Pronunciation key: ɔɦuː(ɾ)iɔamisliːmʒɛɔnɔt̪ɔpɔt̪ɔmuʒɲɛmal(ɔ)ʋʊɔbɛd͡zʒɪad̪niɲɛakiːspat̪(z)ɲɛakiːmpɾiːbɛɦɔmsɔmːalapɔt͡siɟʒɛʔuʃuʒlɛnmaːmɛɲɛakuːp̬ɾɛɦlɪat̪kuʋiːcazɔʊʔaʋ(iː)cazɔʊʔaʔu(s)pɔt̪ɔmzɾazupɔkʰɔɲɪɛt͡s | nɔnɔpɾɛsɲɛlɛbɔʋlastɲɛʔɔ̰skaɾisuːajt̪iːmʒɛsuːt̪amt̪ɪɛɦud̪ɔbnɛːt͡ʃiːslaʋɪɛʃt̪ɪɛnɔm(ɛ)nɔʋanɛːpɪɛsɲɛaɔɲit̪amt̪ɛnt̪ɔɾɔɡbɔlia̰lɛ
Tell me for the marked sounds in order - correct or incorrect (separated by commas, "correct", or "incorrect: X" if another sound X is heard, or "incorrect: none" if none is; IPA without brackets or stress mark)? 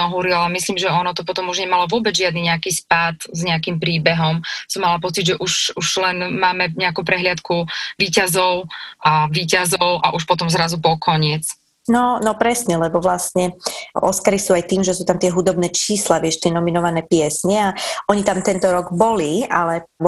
correct, correct, correct, correct, incorrect: ʃ, incorrect: i